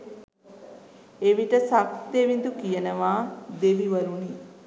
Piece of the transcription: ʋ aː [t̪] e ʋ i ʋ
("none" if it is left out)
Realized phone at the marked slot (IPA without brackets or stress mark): d̪